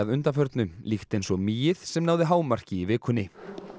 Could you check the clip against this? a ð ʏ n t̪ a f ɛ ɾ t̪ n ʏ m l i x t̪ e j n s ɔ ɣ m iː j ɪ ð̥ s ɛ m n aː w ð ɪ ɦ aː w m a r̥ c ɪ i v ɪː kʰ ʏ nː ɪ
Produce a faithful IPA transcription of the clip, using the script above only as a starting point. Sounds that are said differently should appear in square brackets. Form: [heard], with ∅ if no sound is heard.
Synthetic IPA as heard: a ð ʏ n t̪ a f [œ] ɾ t̪ n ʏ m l i x t̪ e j n s ɔ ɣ m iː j ɪ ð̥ s ɛ m n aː w ð ɪ ɦ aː w m a r̥ c ɪ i v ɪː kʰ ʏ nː ɪ